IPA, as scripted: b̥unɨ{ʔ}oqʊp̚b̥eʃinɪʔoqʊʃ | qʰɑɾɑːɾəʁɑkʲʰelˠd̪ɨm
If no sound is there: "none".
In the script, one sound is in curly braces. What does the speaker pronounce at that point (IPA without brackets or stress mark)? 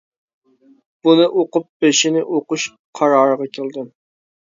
ʔ